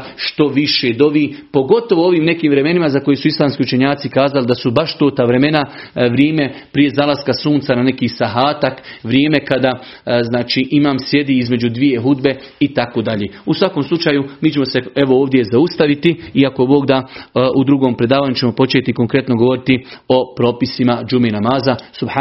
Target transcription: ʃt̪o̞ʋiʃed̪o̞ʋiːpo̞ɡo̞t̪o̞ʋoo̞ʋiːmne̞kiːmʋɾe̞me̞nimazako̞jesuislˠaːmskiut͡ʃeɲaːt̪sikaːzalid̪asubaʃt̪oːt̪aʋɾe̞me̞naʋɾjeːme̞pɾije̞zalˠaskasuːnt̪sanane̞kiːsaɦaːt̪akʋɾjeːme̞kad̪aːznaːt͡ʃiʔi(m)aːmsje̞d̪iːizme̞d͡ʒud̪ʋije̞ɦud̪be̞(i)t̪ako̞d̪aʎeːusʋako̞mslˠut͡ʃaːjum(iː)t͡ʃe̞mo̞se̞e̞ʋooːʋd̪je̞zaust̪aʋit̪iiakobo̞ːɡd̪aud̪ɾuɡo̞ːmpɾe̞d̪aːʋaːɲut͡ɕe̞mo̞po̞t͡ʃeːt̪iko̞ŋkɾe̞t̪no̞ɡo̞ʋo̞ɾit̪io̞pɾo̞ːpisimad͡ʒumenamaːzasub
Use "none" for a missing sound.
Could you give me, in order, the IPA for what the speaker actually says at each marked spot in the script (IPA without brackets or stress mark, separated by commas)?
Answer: m, i, iː